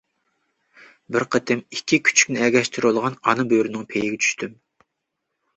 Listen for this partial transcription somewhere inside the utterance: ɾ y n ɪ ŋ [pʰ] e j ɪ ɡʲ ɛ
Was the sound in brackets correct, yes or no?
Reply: yes